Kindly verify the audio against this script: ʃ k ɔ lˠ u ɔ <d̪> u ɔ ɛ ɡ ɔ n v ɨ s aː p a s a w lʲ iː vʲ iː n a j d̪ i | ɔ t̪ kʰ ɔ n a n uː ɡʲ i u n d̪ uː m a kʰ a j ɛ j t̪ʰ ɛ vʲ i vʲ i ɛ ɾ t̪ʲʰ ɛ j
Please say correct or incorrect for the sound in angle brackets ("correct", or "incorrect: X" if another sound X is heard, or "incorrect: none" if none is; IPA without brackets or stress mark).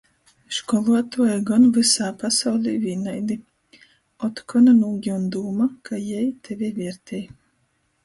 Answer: incorrect: t̪